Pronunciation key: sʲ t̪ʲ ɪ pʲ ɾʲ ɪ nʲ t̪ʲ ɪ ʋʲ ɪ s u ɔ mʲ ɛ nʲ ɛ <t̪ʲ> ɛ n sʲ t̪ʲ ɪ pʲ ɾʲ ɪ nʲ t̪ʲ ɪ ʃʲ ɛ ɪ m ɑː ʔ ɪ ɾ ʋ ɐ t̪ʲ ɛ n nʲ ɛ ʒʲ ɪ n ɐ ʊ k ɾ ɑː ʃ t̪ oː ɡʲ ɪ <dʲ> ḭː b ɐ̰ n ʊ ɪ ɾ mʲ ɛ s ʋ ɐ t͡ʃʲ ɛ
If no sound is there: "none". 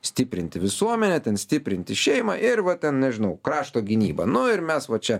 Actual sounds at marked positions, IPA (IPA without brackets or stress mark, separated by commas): t̪ʲ, nʲ